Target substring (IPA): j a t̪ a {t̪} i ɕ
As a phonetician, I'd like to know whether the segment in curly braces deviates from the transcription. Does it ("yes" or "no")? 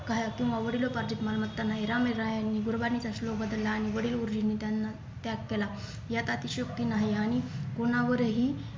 no